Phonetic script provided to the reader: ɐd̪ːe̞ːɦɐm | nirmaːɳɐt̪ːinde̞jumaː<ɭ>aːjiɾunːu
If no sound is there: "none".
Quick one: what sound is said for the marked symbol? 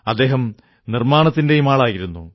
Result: ɭ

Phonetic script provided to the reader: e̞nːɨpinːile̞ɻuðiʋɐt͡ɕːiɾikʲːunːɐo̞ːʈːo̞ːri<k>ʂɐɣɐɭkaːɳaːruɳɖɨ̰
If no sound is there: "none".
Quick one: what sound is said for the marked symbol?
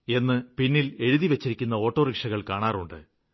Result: k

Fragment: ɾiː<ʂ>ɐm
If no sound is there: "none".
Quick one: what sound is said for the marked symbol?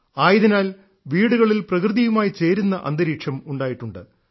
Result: ʂ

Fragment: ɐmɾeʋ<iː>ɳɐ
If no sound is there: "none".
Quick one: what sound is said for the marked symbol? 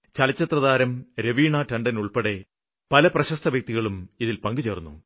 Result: iː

